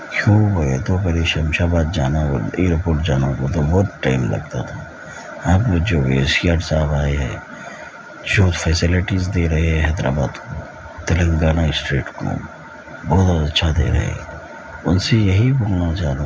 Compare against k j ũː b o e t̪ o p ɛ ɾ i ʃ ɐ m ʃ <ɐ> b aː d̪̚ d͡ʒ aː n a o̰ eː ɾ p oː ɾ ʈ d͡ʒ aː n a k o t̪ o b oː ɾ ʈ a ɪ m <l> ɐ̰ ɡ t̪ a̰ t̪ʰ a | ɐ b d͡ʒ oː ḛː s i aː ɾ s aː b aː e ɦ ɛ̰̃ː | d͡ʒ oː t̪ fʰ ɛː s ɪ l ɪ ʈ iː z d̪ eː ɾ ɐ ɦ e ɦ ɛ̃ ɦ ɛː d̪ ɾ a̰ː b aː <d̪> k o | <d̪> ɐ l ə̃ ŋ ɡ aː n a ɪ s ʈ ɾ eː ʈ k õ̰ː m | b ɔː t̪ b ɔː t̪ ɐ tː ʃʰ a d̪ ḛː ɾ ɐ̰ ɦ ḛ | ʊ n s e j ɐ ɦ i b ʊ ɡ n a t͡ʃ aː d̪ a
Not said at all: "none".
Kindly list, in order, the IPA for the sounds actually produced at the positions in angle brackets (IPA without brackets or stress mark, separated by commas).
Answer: a, l, d̪, t̪